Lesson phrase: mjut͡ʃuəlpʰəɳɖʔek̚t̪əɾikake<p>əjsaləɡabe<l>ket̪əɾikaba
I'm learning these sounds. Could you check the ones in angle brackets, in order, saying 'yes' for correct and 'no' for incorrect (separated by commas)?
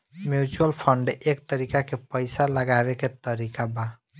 yes, no